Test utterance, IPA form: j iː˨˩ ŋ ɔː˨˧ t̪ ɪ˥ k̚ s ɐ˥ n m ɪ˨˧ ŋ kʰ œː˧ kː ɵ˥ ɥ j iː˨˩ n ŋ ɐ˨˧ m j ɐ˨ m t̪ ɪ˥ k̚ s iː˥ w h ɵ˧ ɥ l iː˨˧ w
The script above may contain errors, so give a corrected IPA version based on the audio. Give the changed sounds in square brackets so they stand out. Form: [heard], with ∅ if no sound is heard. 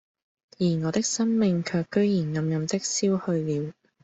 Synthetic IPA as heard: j iː˨˩ ŋ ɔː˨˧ t̪ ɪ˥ k̚ s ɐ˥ n m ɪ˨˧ ŋ kʰ œː˧ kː ɵ˥ ɥ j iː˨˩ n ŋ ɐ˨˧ m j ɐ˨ m t̪ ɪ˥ k̚ s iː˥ w h ɵ˧ ɥ l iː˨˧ w